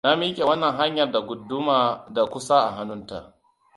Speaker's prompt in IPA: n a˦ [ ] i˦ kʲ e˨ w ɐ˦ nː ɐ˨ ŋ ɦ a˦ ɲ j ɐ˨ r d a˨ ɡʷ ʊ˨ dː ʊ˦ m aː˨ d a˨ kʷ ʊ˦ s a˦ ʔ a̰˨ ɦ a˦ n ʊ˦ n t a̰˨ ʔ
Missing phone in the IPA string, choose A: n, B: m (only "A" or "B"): B